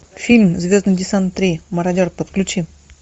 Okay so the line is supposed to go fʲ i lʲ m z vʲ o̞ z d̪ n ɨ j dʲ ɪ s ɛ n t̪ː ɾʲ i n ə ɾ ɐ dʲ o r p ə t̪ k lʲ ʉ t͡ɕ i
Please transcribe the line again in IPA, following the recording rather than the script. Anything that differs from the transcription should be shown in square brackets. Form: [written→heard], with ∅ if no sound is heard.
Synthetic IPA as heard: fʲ i lʲ m z vʲ o̞ z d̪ n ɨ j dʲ ɪ s [ɛ→a] n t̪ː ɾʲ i [n→m] ə ɾ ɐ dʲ o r p ə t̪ k lʲ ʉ t͡ɕ i